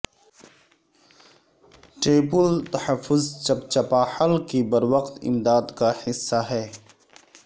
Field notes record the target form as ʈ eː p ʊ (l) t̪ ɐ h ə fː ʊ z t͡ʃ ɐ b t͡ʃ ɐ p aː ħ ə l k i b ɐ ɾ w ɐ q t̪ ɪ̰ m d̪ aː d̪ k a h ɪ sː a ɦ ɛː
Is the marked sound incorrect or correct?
correct